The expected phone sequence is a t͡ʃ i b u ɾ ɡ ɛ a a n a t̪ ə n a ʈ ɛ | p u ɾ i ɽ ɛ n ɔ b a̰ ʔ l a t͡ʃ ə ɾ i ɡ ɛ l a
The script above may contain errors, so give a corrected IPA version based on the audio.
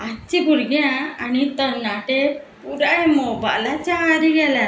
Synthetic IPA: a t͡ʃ i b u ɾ ɡ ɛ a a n i t̪ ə n a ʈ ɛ | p u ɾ a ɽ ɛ m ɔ b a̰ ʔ l a t͡ʃ a ɾ i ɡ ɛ l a